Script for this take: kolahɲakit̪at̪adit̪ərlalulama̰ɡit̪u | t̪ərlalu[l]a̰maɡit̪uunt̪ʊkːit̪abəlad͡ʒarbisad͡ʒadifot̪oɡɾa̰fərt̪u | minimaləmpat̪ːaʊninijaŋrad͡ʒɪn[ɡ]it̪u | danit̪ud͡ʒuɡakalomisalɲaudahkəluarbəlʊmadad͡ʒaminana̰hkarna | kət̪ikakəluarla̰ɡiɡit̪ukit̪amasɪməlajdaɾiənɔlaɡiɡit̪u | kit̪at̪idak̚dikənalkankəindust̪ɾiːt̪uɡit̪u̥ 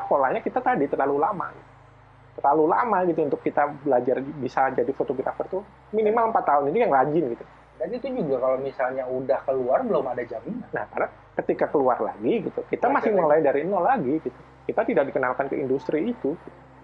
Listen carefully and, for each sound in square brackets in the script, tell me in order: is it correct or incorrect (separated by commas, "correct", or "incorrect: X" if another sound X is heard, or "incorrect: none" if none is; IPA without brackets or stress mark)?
correct, correct